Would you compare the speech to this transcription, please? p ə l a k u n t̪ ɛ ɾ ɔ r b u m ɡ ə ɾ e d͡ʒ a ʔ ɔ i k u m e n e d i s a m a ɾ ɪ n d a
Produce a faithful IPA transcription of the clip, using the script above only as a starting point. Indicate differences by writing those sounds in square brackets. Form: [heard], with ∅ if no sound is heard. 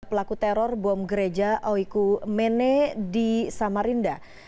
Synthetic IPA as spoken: p ə l a k u [∅] t̪ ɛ ɾ ɔ r b [ɔ] m ɡ ə ɾ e d͡ʒ a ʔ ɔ i k u m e n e d i s a m a ɾ [i] n d a